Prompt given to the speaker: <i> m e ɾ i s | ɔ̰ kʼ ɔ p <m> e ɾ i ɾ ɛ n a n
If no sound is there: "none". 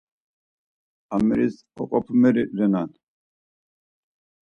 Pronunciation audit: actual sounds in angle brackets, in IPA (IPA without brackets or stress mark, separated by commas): a, m